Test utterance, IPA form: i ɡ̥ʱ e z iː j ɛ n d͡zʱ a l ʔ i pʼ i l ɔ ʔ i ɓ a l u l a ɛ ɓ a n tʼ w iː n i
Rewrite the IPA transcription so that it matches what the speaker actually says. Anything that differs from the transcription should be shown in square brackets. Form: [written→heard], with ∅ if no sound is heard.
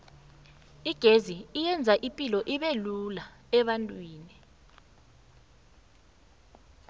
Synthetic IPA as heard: i ɡ̥ʱ e z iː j ɛ n d͡zʱ a [l→∅] ʔ i pʼ i l ɔ ʔ i ɓ [a→e] l u l a ɛ ɓ a n tʼ w iː n i